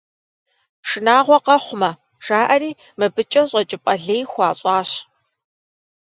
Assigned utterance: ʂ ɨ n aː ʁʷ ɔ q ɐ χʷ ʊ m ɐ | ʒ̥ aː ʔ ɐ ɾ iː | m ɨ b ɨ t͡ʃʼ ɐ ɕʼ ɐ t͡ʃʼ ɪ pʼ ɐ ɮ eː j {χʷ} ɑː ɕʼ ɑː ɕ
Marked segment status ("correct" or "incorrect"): incorrect